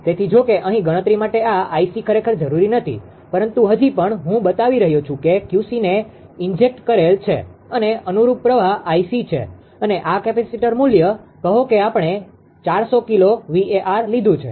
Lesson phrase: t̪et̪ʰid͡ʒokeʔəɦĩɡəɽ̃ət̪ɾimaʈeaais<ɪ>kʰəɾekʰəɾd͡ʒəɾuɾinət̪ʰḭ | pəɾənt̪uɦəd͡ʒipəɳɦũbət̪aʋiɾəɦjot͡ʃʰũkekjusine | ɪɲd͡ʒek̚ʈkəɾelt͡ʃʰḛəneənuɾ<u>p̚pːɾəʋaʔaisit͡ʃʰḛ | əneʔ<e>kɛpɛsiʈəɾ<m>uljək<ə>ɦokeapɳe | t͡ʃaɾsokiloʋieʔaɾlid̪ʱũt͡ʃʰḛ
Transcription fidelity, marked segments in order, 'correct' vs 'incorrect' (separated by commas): incorrect, correct, incorrect, correct, correct